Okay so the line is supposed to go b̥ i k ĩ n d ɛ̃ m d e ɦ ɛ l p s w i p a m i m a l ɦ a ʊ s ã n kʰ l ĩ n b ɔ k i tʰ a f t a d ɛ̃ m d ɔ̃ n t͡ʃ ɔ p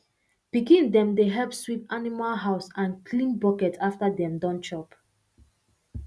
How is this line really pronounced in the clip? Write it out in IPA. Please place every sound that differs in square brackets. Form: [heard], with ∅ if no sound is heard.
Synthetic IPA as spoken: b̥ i k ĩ n d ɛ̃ m d e ɦ ɛ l p s w i p a [n] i m a l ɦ a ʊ s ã n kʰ l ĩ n b ɔ k [ɛ] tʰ a f t a d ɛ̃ m d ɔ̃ n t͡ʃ ɔ p